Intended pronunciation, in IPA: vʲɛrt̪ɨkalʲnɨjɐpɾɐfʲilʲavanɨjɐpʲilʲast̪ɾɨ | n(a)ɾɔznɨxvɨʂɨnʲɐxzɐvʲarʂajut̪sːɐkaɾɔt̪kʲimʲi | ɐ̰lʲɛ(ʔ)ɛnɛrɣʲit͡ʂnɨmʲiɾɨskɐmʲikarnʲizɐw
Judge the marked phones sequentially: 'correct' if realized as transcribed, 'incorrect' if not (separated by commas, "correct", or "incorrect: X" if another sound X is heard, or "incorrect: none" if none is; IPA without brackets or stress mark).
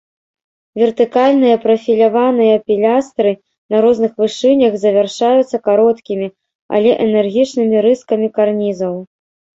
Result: incorrect: ɐ, correct